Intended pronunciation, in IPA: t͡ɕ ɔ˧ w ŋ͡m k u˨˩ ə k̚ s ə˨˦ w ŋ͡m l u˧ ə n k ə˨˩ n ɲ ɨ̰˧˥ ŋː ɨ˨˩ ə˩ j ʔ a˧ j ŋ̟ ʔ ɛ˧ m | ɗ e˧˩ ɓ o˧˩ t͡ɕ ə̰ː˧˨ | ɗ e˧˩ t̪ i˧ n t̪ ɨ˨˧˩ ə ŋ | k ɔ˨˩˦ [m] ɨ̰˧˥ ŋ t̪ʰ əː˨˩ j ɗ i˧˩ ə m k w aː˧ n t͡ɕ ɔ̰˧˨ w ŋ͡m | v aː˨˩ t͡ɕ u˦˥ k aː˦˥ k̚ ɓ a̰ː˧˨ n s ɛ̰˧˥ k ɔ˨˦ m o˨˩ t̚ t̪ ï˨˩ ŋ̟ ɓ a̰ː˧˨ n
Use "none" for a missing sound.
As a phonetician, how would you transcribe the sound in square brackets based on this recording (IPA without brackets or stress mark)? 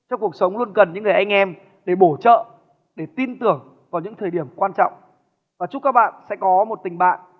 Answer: ɲ